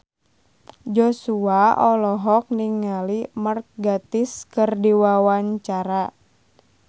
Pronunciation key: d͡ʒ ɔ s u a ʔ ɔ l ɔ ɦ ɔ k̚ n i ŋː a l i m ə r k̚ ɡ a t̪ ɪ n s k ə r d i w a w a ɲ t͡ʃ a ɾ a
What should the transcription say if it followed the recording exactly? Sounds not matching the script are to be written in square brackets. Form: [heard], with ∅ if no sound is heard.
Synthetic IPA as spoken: d͡ʒ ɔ s u a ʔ ɔ l ɔ ɦ ɔ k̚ n i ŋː a l i m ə r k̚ ɡ a t̪ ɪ [∅] s k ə r d i w a w a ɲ t͡ʃ a ɾ a